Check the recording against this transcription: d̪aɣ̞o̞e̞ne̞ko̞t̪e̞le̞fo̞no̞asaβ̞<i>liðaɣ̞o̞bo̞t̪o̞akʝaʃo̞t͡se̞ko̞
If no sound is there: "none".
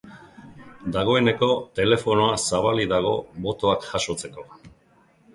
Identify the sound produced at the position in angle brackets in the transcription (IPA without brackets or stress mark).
a